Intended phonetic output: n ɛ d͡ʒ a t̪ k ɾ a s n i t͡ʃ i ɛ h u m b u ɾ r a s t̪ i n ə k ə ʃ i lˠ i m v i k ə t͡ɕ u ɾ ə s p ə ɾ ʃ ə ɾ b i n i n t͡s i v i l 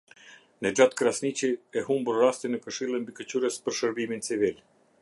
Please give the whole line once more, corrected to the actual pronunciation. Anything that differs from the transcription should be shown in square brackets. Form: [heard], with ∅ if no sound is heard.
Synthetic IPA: n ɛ d͡ʒ a t̪ k ɾ a s n i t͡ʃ i ɛ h u m b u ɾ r a s t̪ i n ə k ə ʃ i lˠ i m [b] i k ə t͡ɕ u ɾ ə s p ə ɾ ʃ ə ɾ b i [m] i n t͡s i v i l